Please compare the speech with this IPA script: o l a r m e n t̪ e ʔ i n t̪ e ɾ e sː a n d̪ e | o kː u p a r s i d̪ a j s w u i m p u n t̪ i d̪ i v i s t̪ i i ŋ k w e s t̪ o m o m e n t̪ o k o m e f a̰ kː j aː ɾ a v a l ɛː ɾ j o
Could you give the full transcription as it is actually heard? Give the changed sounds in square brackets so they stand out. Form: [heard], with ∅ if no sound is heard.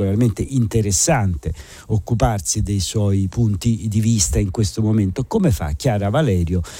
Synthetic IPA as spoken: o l a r m e n t̪ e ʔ i n t̪ e ɾ e sː a n [t̪] e | o kː u p a r s i d̪ [e] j s w [ɔ] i [∅] p u n t̪ i d̪ i v i s t̪ [a] i ŋ k w e s t̪ o m o m e n t̪ o k o m e f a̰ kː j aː ɾ a v a l ɛː ɾ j o